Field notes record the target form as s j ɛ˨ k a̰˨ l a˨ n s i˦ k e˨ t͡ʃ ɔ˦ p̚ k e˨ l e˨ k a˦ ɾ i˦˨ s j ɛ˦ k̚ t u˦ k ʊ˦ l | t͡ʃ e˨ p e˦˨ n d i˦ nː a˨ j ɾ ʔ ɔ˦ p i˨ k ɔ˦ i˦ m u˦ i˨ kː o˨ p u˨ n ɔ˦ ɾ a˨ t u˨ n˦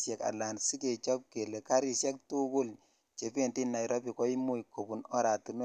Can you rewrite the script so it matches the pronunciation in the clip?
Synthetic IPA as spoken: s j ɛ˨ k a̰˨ l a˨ n s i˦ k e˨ t͡ʃ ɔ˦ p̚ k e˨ l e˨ k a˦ ɾ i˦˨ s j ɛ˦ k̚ t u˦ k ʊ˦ l | t͡ʃ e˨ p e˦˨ n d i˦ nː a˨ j ɾ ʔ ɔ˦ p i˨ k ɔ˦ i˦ m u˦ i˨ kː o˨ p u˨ n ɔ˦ ɾ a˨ t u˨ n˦